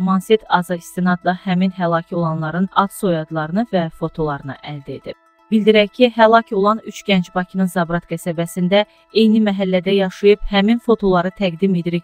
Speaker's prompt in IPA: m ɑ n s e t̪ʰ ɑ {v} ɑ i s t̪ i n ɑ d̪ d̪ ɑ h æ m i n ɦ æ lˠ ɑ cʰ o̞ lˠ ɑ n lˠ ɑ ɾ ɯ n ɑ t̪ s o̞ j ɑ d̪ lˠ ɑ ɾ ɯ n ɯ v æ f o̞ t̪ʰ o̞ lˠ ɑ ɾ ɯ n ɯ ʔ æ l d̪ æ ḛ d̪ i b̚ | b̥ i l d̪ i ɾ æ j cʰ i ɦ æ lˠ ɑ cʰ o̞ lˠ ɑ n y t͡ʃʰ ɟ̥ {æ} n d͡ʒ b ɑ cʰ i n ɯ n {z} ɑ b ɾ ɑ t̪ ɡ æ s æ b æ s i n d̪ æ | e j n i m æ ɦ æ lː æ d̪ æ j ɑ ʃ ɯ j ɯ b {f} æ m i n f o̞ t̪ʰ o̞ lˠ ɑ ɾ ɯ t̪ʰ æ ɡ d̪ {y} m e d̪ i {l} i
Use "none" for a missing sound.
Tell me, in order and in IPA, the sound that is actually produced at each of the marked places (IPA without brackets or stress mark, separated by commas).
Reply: z, æ, z, h, i, ɾ